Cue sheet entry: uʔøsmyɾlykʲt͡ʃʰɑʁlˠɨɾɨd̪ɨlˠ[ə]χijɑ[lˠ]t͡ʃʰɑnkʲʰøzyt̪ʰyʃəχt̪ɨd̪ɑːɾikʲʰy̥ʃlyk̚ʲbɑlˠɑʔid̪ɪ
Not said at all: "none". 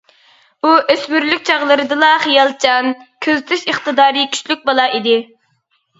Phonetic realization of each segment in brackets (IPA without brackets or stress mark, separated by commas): ɑ, lˠ